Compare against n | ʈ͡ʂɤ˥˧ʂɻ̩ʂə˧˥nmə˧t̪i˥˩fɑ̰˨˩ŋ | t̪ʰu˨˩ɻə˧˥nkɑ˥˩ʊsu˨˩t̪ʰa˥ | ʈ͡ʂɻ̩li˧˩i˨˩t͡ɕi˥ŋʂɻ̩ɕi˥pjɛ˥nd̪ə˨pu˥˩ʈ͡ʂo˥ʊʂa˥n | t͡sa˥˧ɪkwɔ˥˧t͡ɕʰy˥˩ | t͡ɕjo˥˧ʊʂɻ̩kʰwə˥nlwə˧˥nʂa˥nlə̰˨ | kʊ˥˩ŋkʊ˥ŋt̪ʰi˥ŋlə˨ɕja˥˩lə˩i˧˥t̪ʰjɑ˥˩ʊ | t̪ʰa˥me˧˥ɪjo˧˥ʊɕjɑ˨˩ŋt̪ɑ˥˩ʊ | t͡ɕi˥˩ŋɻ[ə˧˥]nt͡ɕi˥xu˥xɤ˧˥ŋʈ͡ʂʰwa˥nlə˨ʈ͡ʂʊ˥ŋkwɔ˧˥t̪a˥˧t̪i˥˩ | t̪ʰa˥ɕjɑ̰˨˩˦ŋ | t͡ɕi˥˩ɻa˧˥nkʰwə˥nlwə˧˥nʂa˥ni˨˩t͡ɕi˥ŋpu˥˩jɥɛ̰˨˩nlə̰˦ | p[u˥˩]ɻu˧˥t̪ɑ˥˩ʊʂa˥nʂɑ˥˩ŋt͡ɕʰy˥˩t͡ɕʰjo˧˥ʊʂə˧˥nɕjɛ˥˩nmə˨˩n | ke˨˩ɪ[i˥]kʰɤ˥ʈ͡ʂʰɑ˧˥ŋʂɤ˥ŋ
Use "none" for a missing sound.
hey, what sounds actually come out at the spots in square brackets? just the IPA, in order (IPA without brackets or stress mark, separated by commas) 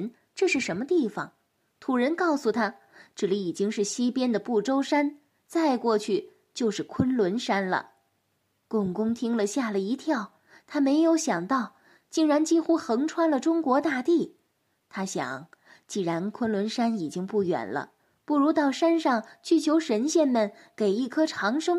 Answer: a˧˥, u˥˩, i˥˩